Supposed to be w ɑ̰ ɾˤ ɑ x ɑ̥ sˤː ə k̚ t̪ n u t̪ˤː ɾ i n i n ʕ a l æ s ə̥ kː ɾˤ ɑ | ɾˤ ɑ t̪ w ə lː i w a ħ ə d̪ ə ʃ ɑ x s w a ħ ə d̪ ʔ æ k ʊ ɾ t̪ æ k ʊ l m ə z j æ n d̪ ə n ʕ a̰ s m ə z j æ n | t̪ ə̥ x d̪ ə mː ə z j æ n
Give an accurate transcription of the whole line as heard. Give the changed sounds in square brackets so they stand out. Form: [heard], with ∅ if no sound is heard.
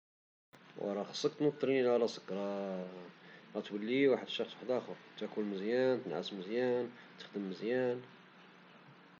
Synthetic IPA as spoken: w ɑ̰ ɾˤ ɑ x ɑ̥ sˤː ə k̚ t̪ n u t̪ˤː ɾ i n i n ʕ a l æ s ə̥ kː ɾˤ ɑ | ɾˤ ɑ t̪ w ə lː i w a ħ ə d̪ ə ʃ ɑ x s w a ħ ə d̪ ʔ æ [x] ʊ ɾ t̪ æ k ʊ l m ə z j æ n [t̪] ə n ʕ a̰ s m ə z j æ n | t̪ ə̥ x d̪ ə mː ə z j æ n